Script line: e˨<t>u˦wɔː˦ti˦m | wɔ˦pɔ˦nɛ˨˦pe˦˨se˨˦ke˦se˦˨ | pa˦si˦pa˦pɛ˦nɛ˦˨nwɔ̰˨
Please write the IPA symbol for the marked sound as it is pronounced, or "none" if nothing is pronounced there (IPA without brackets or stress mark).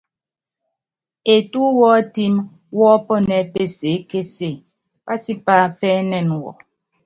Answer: t